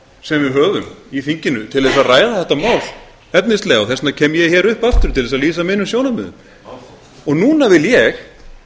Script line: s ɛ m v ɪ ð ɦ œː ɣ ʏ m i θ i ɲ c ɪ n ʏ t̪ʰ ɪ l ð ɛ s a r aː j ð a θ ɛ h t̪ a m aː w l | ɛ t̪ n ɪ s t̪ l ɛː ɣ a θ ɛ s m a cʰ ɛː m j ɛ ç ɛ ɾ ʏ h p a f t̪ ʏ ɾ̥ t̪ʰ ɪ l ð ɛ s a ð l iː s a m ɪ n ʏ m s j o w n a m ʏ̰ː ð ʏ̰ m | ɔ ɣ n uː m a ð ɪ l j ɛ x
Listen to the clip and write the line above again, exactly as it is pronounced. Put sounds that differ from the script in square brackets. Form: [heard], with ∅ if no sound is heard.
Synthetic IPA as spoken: s ɛ m v ɪ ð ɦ œː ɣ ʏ m i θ i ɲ c ɪ n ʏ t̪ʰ ɪ l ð ɛ s a r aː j ð a θ ɛ h t̪ a m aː w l | ɛ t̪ n ɪ s t̪ l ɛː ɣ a θ ɛ s [n] a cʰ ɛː m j ɛ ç ɛ ɾ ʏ h p a f t̪ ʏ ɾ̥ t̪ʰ ɪ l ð ɛ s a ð l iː s a m ɪ n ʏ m s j o w n a m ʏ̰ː ð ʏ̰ m | ɔ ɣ n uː [n] a [v] ɪ l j ɛ x